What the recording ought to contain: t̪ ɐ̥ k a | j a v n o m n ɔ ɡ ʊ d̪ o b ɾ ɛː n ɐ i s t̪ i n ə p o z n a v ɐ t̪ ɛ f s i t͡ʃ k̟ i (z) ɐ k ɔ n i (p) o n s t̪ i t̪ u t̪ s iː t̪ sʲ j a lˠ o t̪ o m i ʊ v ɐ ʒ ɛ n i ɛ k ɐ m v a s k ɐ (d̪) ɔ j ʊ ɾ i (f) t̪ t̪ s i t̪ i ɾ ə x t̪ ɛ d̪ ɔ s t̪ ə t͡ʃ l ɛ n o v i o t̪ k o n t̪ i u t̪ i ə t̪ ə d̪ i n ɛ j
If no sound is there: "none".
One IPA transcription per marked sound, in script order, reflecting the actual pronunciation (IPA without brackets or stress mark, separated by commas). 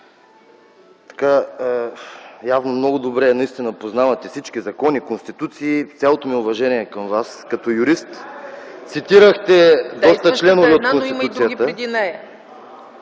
z, k, t̪, s